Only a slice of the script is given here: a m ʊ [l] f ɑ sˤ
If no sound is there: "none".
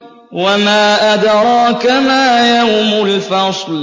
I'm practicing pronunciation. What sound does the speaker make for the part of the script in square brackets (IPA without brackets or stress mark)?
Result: l